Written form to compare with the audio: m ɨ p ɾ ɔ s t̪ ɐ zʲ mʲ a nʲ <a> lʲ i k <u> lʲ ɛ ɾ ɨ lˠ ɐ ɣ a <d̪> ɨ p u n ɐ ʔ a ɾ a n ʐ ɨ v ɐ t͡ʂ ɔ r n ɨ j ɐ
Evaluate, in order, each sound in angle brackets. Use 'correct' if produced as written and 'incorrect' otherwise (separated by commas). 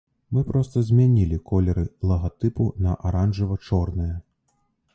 incorrect, incorrect, incorrect